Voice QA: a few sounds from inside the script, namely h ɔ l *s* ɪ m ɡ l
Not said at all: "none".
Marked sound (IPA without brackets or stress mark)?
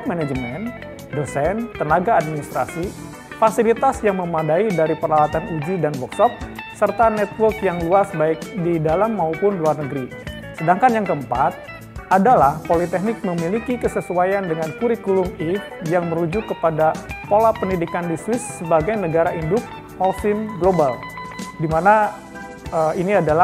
s